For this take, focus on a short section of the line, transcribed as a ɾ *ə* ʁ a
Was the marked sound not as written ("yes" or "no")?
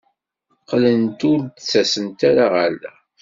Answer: yes